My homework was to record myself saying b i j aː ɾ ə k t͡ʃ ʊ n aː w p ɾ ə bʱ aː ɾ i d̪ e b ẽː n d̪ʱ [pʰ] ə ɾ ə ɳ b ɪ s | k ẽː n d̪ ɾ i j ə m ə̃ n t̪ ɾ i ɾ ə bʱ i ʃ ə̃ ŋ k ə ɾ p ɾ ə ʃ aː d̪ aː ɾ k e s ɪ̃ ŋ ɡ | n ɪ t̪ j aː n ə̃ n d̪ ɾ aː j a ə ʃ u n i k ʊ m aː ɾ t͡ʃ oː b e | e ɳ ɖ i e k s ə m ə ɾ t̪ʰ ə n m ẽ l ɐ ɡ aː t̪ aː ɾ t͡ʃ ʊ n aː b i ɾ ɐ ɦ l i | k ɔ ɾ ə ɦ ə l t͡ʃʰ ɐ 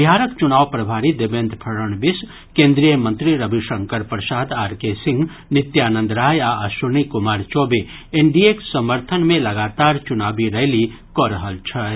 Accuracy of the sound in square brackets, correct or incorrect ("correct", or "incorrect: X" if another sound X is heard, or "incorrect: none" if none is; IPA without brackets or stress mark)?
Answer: correct